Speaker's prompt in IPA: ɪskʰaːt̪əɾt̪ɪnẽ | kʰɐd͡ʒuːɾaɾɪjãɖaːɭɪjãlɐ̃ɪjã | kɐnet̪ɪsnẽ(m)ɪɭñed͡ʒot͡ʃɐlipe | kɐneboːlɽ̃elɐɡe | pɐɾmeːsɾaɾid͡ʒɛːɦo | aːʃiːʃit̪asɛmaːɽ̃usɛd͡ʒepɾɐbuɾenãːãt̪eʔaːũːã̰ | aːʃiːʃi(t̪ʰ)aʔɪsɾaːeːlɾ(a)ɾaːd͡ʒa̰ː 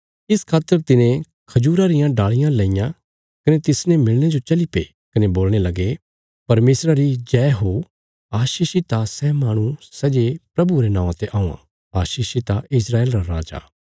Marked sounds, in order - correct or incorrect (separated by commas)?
correct, incorrect, correct